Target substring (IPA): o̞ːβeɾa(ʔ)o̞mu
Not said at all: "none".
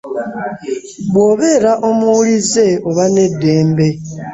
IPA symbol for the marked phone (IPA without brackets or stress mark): ʔ